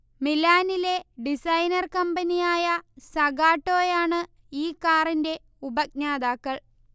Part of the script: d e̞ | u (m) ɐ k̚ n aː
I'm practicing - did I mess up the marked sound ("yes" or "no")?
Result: yes